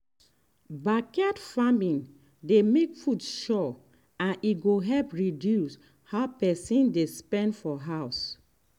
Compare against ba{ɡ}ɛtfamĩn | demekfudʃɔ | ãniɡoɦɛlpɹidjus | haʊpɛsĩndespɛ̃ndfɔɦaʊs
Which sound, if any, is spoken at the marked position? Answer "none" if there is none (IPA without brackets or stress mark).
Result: k